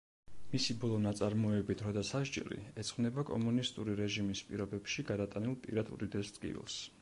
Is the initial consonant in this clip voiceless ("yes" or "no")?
no